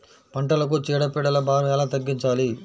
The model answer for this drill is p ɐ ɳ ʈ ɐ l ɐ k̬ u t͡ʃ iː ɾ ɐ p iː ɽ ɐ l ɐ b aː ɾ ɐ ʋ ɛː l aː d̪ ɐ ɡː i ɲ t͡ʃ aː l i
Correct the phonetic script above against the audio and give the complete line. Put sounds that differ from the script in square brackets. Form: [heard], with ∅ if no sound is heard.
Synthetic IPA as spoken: p ɐ ɳ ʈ ɐ l ɐ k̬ u t͡ʃ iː [ɽ] ɐ p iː ɽ ɐ l ɐ b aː ɾ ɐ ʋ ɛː l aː [t̪] ɐ ɡː i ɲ t͡ʃ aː l i